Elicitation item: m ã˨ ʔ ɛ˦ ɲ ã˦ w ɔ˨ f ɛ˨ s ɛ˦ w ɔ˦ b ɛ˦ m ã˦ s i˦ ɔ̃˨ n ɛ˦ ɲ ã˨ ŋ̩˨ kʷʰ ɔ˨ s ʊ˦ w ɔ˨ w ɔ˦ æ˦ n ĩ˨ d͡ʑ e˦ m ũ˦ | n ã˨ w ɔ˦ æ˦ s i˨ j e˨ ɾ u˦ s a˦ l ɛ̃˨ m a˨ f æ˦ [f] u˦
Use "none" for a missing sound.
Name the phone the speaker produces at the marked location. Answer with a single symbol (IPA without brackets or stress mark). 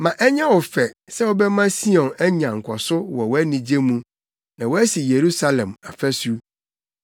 s